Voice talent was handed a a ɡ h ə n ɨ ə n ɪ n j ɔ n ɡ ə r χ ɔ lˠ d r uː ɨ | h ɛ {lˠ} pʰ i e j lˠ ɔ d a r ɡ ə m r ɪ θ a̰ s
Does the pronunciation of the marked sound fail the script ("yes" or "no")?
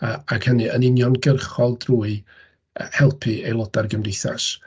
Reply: no